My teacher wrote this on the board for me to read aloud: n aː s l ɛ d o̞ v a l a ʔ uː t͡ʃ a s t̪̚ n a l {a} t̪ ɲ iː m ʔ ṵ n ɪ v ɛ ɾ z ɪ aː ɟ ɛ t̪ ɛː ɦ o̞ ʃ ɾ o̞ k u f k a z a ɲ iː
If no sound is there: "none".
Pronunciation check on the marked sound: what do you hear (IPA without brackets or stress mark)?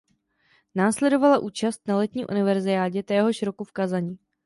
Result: ɛ